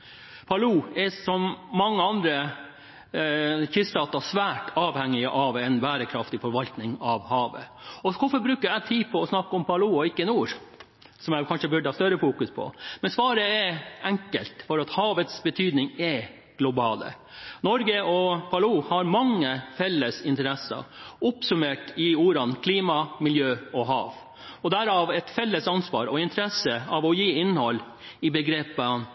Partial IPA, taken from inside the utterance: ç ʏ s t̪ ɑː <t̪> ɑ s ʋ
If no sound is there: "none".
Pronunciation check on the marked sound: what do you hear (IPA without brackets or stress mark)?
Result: t̪